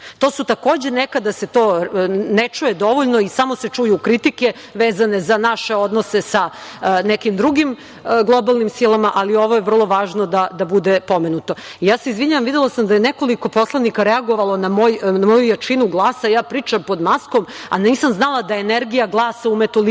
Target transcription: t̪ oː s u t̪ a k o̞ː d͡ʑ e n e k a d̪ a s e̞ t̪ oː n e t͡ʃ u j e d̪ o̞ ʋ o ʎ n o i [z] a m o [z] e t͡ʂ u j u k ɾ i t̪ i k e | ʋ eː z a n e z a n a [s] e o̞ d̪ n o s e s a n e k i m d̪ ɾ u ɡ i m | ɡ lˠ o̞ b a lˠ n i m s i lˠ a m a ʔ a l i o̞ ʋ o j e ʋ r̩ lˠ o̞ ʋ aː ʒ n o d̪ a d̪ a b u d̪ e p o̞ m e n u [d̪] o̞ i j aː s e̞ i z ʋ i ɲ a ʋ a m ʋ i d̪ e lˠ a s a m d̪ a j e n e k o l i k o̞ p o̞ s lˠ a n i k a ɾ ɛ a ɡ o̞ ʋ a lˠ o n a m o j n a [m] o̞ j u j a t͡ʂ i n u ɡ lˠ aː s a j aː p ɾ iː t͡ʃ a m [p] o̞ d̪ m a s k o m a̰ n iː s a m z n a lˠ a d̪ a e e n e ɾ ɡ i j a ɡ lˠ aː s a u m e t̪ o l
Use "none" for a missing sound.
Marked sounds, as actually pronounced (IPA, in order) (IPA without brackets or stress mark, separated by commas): s, s, ʃ, t̪, m, p